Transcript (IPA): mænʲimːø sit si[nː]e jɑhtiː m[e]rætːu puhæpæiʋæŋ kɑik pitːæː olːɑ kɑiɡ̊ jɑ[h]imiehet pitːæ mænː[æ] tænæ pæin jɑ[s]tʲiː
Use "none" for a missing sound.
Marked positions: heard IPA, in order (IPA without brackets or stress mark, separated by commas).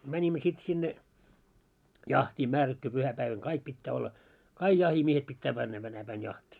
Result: nː, æ, h, æ, h